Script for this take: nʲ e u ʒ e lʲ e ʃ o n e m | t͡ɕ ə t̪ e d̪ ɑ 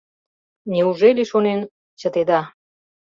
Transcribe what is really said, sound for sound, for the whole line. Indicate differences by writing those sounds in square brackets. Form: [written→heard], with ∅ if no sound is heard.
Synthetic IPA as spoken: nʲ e u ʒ e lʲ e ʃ o n e [m→n] | t͡ɕ ə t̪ e d̪ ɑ